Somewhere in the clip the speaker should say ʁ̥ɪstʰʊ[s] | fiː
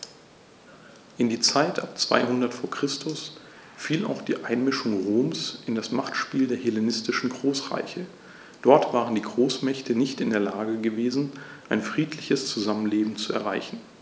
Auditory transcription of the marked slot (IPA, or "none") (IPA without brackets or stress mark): s